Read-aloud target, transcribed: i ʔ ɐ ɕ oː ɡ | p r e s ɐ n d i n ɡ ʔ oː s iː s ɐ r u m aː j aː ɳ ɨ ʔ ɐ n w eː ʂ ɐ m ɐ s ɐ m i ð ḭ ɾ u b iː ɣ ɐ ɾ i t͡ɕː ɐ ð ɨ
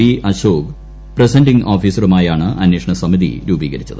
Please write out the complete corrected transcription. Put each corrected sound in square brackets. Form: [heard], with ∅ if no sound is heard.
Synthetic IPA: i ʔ ɐ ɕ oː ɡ | p r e s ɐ n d i [ŋ] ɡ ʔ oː [f] iː s ɐ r u m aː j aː ɳ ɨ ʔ ɐ n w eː ʂ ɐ [ɳ] ɐ s ɐ m i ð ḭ ɾ [uː] b iː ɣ ɐ ɾ i t͡ɕː ɐ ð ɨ